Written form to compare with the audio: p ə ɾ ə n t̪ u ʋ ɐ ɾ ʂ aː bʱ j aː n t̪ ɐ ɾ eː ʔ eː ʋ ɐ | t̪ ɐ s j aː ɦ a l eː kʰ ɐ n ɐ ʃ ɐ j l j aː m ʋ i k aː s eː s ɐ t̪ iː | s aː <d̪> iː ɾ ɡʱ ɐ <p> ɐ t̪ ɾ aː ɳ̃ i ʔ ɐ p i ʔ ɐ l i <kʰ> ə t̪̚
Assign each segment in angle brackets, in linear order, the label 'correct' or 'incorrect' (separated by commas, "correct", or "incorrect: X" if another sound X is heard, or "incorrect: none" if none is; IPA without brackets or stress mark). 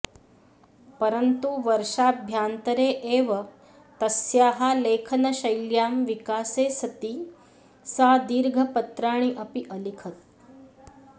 correct, correct, correct